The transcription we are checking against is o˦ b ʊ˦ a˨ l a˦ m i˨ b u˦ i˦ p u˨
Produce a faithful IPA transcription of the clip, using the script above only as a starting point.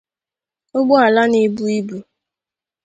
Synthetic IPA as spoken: o˦ ɡ͡b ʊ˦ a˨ l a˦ n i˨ b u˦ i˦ b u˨